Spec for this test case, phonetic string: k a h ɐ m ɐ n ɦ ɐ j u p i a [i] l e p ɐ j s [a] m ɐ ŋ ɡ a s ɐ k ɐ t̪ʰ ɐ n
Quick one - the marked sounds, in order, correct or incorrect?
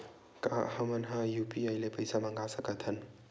incorrect: j, correct

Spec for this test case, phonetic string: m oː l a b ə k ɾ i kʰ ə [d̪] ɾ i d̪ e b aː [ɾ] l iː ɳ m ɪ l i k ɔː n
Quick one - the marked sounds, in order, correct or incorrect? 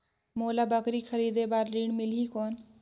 incorrect: none, correct

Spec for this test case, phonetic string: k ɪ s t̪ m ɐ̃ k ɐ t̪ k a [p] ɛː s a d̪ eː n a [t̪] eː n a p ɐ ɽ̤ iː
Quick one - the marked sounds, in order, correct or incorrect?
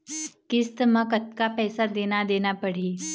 correct, incorrect: d̪

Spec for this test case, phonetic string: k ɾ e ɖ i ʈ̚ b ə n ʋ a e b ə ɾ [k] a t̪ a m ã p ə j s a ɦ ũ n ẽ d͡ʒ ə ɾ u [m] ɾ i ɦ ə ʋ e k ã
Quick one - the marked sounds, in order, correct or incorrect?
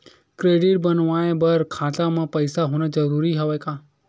incorrect: kʰ, incorrect: none

